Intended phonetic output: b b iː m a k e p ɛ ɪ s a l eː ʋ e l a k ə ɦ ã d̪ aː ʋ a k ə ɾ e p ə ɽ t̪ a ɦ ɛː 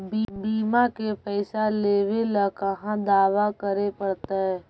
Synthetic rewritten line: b b iː m a k e p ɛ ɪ s a l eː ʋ e l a k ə ɦ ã d̪ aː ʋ a k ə ɾ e p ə ɽ t̪ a ɦ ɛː